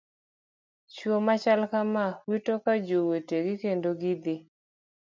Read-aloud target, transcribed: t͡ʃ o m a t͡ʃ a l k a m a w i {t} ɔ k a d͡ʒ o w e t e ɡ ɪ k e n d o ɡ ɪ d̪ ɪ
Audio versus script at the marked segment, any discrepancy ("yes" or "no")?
no